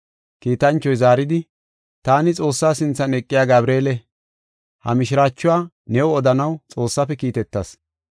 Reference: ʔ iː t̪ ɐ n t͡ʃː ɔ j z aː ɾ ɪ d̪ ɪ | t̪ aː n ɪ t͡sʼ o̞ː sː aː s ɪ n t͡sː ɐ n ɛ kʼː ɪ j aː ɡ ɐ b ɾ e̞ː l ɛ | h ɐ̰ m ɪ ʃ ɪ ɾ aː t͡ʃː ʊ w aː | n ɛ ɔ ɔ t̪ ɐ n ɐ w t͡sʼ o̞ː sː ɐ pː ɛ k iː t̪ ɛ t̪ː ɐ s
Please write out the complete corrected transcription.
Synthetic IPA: k iː t̪ ɐ n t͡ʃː ɔ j z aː ɾ ɪ d̪ ɪ | t̪ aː n ɪ t͡sʼ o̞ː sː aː s ɪ n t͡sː ɐ n ɛ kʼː ɪ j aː ɡ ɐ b ɾ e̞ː l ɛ | h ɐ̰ m ɪ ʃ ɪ ɾ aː t͡ʃː ʊ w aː | n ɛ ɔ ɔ d̪ ɐ n ɐ w t͡sʼ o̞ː sː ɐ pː ɛ k iː t̪ ɛ t̪ː ɐ s